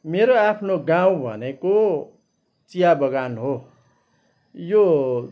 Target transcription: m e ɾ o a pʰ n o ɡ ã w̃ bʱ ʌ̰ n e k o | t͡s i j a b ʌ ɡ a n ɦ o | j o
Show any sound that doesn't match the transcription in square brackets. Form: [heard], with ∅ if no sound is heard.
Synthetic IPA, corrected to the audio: m e ɾ o a pʰ n o ɡ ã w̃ bʱ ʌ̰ n e k o | t͡s i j a b ʌ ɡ a n ɦ o | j o